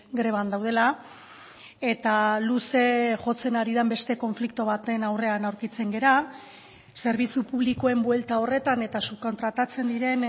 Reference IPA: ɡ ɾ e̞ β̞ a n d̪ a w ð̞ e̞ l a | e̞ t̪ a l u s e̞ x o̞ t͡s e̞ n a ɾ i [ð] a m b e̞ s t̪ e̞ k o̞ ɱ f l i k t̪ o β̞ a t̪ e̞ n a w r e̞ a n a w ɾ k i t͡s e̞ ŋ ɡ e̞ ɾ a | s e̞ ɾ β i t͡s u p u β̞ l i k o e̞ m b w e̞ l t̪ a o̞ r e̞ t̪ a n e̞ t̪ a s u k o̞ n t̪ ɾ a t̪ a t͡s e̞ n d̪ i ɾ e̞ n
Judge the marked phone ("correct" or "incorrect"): correct